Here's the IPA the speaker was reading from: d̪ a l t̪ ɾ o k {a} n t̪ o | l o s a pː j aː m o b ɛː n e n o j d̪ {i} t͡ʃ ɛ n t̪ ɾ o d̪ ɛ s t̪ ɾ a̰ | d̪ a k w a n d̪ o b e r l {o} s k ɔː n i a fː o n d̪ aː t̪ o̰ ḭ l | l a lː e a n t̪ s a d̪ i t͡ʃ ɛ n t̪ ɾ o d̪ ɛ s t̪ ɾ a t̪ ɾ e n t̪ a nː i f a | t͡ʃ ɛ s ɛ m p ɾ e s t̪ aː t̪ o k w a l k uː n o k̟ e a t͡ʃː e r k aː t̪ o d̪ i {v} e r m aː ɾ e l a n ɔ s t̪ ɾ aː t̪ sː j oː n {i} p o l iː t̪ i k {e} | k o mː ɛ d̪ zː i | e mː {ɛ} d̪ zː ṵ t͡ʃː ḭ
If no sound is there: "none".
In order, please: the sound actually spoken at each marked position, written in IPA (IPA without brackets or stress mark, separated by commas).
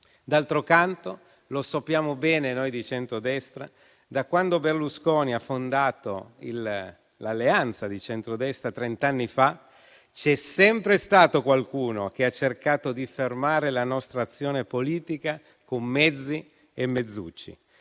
a, i, u, f, e, a, e